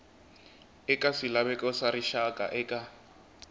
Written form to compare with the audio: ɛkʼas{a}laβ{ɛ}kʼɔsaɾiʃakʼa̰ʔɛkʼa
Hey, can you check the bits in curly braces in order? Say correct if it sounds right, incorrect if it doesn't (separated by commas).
incorrect, correct